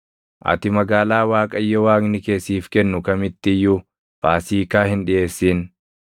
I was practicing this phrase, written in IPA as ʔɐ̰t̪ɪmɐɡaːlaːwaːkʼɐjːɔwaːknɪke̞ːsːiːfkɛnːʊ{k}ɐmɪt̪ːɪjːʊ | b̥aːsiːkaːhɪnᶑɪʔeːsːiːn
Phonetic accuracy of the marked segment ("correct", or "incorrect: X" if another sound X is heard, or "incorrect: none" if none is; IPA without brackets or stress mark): correct